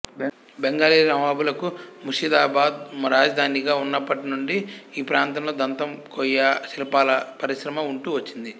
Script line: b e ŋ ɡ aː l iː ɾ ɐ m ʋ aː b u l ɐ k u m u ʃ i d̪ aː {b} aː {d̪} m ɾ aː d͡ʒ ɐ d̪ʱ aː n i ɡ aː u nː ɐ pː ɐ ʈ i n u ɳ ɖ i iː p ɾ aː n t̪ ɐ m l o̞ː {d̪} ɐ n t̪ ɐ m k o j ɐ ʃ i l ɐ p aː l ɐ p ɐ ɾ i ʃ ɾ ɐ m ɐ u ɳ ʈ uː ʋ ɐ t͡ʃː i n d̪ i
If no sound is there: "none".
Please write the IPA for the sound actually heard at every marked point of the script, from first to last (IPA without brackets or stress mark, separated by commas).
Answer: b, d̪, d̪